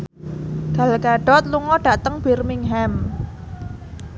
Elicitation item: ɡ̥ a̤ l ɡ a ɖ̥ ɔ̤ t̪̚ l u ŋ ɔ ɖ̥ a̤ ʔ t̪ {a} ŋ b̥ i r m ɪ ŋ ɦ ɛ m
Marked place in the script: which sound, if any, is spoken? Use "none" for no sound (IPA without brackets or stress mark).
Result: ə